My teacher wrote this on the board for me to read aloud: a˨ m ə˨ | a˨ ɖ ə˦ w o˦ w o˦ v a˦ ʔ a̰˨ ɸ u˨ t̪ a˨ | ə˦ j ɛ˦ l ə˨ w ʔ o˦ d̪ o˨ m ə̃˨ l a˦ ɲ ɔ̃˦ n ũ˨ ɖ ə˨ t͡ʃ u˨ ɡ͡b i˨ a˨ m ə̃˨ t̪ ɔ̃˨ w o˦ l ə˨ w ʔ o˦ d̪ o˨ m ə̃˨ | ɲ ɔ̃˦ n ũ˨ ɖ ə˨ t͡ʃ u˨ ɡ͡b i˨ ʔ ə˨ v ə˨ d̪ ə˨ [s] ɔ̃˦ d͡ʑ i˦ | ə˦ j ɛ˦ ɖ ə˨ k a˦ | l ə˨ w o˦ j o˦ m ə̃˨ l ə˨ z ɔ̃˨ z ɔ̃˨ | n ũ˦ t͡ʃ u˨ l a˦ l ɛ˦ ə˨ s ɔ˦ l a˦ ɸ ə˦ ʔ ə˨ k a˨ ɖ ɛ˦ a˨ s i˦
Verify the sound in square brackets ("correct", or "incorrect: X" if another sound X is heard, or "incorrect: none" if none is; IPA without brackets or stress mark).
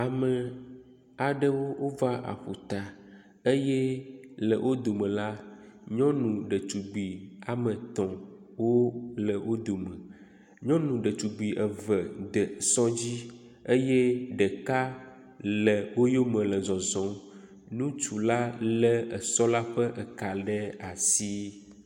correct